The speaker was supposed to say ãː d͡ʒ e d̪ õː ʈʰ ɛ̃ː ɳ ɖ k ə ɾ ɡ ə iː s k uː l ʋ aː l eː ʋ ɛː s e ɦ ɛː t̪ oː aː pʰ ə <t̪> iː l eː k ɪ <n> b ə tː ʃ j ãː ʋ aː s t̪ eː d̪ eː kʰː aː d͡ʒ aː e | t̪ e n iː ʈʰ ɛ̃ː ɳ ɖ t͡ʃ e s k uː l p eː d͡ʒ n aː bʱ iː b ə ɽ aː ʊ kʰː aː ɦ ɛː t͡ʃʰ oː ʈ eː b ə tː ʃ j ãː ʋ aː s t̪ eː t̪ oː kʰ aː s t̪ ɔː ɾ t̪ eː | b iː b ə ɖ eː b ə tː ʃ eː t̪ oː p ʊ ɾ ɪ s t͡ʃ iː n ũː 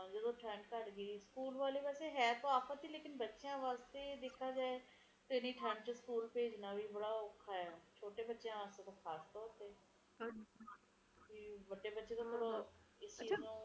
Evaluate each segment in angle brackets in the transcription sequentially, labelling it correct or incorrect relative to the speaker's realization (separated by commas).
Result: correct, correct